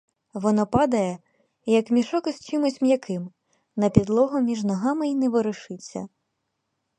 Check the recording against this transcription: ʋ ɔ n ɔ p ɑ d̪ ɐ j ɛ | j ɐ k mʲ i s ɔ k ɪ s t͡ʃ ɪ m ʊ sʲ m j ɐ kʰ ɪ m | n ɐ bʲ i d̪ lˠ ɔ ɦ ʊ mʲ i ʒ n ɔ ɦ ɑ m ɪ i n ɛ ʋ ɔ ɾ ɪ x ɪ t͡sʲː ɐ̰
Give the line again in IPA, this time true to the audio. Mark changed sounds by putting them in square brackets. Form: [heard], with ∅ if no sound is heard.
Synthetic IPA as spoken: ʋ ɔ n ɔ p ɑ d̪ ɐ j ɛ | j ɐ k mʲ i [ʃ] ɔ k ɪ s t͡ʃ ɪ m ʊ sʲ m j ɐ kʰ ɪ m | n ɐ [pʲ] i d̪ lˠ ɔ ɦ ʊ mʲ i ʒ n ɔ ɦ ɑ m ɪ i n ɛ ʋ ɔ ɾ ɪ [ʃ] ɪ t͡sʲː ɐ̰